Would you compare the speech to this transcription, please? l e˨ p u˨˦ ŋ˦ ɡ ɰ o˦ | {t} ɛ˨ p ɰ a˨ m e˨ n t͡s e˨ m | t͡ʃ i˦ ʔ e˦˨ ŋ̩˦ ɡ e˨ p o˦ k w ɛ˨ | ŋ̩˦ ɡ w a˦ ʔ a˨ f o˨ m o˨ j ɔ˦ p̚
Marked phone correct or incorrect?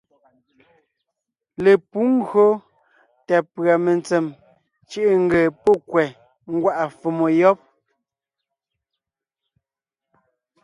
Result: correct